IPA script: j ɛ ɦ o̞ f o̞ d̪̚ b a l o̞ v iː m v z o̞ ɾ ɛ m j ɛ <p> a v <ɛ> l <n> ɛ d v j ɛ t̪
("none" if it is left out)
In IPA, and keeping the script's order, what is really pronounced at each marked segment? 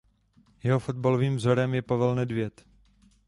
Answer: p, ɛ, n

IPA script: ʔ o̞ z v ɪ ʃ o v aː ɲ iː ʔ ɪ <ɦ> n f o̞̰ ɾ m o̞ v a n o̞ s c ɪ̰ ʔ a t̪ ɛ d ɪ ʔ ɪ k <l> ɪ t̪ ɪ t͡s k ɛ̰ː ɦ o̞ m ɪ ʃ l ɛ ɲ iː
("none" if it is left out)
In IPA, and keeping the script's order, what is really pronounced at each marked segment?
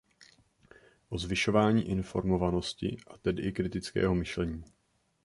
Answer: none, ɾ

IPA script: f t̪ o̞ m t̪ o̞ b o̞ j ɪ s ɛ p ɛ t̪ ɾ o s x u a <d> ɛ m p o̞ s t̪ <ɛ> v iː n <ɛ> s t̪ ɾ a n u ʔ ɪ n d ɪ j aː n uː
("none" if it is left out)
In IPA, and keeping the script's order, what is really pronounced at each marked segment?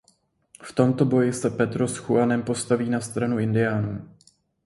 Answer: n, a, a

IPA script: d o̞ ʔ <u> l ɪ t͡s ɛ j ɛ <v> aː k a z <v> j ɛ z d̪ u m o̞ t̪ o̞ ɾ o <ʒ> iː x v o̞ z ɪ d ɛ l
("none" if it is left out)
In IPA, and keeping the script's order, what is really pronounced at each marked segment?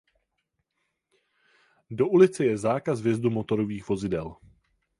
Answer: u, z, v, v

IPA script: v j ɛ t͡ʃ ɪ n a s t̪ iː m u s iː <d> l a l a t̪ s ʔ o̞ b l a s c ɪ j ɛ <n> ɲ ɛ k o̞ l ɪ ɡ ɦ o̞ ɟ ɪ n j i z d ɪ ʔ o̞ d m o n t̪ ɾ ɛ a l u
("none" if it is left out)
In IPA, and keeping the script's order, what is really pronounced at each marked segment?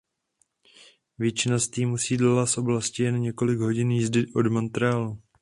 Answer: d, n

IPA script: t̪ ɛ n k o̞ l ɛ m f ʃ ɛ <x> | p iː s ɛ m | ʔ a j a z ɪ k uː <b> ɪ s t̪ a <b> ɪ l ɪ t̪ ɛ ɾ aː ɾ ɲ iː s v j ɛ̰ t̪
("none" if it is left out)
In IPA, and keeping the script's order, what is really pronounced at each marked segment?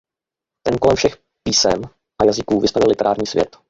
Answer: x, v, v

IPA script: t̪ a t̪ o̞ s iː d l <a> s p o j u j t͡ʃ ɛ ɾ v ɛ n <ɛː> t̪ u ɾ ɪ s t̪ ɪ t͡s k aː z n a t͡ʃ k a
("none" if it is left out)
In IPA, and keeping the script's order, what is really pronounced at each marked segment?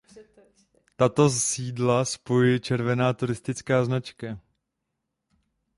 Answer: a, aː

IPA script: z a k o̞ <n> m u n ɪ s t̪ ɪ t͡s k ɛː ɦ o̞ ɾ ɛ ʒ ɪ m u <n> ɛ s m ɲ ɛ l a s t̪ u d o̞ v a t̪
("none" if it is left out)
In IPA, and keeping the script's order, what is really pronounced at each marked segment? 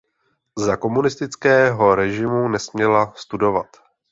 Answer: none, n

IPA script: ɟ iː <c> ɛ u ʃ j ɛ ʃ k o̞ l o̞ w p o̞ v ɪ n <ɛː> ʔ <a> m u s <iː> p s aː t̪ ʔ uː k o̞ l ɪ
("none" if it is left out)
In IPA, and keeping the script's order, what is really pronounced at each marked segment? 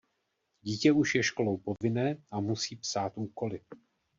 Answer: c, ɛː, a, iː

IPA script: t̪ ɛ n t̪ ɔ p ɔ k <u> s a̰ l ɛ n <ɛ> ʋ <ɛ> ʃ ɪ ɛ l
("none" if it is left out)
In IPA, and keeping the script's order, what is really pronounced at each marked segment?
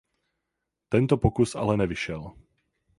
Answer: u, ɛ, i

